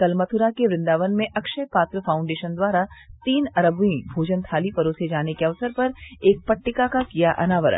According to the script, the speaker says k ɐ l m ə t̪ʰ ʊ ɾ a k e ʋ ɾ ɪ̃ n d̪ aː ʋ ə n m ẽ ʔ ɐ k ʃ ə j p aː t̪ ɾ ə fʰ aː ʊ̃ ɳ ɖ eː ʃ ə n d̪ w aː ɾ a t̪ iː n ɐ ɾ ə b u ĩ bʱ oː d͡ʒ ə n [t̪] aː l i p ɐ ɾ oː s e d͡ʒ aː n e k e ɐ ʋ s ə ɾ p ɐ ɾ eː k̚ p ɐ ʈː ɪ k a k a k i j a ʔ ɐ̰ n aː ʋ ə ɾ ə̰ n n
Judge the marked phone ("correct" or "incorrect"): incorrect